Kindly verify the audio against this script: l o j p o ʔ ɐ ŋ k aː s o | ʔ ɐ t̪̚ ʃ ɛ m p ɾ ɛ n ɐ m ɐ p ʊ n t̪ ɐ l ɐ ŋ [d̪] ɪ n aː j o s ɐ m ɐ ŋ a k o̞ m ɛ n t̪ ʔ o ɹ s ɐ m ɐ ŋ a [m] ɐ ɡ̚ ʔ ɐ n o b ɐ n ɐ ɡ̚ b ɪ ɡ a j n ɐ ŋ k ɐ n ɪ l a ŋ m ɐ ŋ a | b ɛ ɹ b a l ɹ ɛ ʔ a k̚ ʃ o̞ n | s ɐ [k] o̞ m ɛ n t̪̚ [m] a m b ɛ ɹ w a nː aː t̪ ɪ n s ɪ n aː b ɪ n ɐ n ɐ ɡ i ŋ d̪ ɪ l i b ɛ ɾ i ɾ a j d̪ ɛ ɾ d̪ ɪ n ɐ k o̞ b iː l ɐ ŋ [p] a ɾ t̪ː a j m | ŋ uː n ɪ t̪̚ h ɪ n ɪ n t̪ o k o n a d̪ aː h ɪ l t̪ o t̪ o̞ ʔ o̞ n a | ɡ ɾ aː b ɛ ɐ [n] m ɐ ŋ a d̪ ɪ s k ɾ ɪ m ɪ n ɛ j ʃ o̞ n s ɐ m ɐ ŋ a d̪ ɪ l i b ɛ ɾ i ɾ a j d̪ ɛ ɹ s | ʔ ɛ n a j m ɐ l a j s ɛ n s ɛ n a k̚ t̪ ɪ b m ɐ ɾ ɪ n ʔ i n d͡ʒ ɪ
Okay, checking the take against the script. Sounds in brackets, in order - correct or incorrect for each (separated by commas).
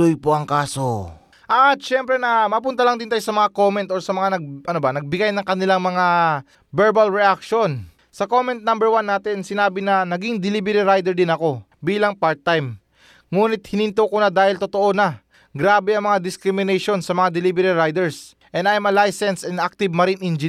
correct, incorrect, correct, incorrect, correct, incorrect